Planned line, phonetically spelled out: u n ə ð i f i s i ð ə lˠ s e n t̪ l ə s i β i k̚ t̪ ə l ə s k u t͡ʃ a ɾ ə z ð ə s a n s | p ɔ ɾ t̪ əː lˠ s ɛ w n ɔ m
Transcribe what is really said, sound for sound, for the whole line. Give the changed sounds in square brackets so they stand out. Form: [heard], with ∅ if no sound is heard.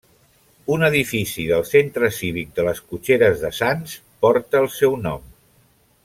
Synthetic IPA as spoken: u n ə ð i f i s i ð ə lˠ s e n t̪ [ɾ] ə s i β i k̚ [d̪] ə l ə s k u t͡ʃ [e] ɾ ə z ð ə s a n s | p ɔ ɾ t̪ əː lˠ s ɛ w n ɔ m